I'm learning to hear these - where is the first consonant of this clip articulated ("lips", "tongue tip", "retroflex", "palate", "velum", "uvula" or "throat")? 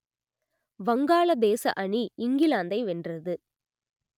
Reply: lips